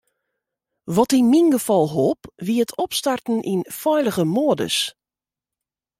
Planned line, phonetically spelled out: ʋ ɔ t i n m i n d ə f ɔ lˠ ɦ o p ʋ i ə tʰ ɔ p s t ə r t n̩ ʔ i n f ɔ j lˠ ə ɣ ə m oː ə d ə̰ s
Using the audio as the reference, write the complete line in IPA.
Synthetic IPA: ʋ ɔ t i n m i n ɡ ə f ɔ lˠ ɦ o p ʋ i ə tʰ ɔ p s t a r t n̩ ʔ i n f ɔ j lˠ ə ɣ ə m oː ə d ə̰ s